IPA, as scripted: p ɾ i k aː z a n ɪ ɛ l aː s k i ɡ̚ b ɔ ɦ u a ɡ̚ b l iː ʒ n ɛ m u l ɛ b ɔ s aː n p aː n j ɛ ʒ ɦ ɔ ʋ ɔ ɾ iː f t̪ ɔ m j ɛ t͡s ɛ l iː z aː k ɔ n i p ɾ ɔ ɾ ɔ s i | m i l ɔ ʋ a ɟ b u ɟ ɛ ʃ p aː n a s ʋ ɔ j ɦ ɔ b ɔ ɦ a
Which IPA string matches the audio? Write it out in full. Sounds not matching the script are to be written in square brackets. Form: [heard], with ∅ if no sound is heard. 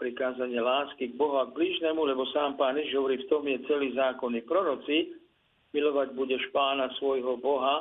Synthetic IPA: p ɾ i k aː z a [ɲ] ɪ ɛ l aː s k i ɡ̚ b ɔ ɦ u a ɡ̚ b l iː ʒ n ɛ m u l ɛ b ɔ s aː [m] p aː n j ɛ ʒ ɦ ɔ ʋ ɔ ɾ iː f t̪ ɔ m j ɛ t͡s ɛ l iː z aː k ɔ n i p ɾ ɔ ɾ ɔ [t͡s] i | m i l ɔ ʋ a ɟ b u ɟ ɛ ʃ p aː n a s ʋ ɔ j ɦ ɔ b ɔ ɦ a